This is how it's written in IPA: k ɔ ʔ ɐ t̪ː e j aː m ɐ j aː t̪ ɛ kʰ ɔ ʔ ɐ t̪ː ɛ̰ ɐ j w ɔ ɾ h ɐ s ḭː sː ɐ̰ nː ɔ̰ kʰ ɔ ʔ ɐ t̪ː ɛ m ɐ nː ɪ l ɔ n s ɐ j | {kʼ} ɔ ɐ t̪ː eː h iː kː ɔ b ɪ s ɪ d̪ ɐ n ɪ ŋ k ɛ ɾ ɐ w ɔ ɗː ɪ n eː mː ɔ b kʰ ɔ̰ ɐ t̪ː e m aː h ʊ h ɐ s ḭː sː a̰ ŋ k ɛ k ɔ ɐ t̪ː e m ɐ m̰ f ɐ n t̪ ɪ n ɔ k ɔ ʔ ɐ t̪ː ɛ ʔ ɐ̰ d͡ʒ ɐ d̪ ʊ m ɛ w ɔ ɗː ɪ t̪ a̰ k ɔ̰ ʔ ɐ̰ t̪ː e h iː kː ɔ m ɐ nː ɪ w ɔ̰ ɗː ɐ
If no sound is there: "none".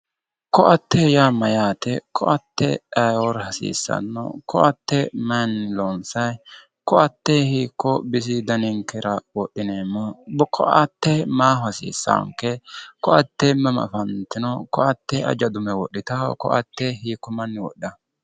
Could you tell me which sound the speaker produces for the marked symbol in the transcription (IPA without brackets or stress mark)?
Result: k